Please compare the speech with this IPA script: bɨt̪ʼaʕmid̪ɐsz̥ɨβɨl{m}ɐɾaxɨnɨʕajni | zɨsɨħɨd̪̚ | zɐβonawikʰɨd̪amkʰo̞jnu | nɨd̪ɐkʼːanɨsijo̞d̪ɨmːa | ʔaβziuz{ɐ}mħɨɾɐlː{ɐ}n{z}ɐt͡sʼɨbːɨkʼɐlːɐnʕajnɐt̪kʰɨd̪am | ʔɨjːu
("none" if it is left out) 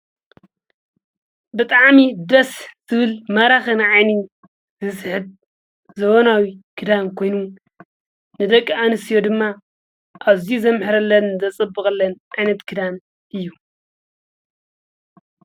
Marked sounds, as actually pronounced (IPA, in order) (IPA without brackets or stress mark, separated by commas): m, ɐ, ɐ, z